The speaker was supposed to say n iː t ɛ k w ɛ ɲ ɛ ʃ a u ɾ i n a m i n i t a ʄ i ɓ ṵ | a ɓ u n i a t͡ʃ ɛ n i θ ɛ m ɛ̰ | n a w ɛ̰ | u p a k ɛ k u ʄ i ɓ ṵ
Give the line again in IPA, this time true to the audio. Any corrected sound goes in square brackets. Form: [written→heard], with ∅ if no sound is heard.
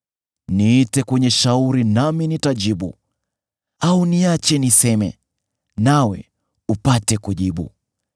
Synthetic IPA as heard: n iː t ɛ k w ɛ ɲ ɛ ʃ a u ɾ i n a m i n i t a ʄ i ɓ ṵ | a [ɓ→∅] u n i a t͡ʃ ɛ n i [θ→s] ɛ m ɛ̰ | n a w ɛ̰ | u p a [k→t] ɛ k u ʄ i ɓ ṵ